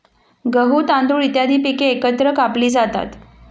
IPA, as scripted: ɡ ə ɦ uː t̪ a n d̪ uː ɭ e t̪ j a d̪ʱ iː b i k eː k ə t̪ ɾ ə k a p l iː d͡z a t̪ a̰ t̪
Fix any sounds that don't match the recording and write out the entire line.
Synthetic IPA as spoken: ɡ ə ɦ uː t̪ a n d̪ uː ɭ i t̪ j a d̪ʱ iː p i k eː k ə t̪ ɾ ə k a p l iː d͡z a t̪ a̰ t̪